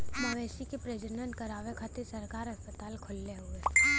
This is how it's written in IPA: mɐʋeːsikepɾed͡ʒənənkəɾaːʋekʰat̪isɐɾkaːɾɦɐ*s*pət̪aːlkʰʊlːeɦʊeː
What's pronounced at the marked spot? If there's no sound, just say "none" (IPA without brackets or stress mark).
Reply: s